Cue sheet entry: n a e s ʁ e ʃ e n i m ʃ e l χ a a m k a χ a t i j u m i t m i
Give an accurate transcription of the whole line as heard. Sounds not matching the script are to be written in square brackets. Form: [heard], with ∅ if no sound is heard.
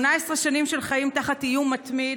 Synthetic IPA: n a e s ʁ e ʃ [a] n i m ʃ e l χ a [i] m [t] a χ a t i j u m [a] t m i

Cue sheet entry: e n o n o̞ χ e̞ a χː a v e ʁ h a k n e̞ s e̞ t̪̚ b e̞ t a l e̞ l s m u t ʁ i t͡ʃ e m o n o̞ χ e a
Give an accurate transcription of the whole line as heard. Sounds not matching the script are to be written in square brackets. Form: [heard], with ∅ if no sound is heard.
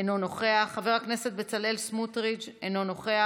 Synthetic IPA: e n o n o̞ χ e̞ a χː a v e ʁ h a k n e̞ s e̞ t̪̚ b e̞ [t͡s] a l e̞ l s m u t ʁ i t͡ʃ e [n] o n o̞ χ e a

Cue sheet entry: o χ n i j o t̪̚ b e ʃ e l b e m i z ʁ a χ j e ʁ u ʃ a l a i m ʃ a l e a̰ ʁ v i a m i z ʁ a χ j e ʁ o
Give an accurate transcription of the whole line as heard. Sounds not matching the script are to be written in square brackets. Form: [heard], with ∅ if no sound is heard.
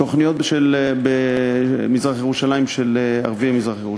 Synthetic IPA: o χ n i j o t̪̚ b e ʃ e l b e m i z ʁ a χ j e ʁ u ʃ a l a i m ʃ [e] l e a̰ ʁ v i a m i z ʁ a χ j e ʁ [u]

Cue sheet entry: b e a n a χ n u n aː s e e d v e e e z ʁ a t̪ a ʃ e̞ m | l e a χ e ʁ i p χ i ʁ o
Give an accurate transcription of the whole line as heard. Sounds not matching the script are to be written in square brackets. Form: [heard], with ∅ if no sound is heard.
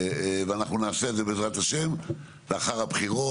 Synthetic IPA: [v] e a n a χ n u n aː s e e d [z] e e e z ʁ a t̪ a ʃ e̞ m | l e a χ [a] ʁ [a] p χ i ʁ o

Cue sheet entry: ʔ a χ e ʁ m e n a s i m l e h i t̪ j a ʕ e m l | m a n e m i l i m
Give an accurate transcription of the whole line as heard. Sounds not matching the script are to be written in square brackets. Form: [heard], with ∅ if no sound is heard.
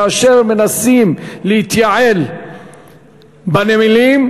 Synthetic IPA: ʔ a [ʃ] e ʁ m e n a s i m l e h i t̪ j a ʕ e [∅] l | [b] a n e m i l i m

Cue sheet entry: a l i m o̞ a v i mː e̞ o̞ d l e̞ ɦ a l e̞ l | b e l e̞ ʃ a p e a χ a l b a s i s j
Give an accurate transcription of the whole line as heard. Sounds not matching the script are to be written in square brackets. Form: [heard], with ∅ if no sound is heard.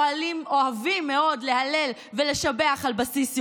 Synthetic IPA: a l i m o̞ a v i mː e̞ o̞ d l e̞ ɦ a l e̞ l | [v] e l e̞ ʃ a [b] e a χ a l b a s i s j

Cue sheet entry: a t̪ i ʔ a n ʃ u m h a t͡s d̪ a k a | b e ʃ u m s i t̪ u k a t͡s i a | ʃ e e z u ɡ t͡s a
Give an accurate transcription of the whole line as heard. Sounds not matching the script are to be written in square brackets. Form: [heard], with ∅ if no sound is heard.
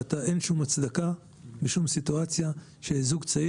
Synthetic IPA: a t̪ [a] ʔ [e] n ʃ u m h a t͡s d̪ a k a | b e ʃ u m s i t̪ u [∅] a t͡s [j] a | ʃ e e z u ɡ t͡s a

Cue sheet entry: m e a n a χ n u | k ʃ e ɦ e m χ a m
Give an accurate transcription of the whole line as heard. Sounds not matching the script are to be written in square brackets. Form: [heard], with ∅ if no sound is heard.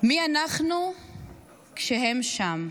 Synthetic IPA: m [i] a n a χ n u | k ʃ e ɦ e m [ʃ] a m

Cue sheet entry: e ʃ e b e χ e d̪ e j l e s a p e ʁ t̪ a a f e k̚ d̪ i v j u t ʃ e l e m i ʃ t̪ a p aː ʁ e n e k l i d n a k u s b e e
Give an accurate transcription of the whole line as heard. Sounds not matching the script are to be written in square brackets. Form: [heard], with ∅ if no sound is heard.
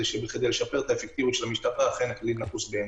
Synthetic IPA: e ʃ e b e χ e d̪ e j l e [ʃ] a p e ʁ t̪ a [e] f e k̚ [t̪] i v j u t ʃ e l [a] m i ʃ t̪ a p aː [χ] e n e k l i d n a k u s b e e

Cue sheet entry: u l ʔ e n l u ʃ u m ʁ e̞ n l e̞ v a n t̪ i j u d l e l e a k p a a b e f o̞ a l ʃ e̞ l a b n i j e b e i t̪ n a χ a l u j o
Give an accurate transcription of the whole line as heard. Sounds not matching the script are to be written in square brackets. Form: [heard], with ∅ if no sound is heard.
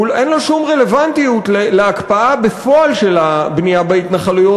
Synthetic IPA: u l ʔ e n l [o] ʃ u m ʁ e̞ [∅] l e̞ v a n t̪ i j u [t] l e l e a k p a a b e f o̞ a l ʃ e̞ l a b n i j [a] b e i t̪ n a χ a l u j o

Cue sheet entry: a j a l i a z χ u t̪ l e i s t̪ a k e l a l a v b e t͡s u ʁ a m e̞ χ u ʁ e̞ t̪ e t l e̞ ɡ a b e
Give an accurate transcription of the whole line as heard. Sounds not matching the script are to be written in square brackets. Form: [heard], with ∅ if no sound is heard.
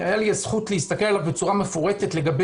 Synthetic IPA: a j a l i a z χ u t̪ l e i s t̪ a k e l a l a v b e t͡s u ʁ a m e̞ [f] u ʁ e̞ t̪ e t l e̞ ɡ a b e

